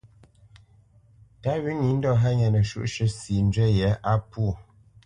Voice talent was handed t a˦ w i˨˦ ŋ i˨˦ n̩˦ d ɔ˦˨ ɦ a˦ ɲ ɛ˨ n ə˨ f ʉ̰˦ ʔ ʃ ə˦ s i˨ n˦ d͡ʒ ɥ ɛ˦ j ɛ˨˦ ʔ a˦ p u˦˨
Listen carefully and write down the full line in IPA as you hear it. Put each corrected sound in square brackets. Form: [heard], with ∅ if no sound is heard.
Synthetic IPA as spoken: t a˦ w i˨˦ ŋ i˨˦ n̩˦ d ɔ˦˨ ɦ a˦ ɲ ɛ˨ n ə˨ [ʃ] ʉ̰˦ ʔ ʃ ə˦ s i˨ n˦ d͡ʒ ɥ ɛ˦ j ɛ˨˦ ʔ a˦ p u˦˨